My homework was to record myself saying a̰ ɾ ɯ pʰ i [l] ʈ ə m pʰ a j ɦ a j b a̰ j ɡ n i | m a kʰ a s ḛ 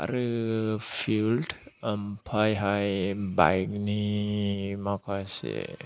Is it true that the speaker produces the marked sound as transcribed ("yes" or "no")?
yes